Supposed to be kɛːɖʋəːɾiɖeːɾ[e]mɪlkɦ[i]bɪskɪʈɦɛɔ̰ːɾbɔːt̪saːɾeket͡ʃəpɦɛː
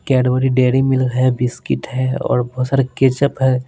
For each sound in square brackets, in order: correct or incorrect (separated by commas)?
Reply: incorrect, incorrect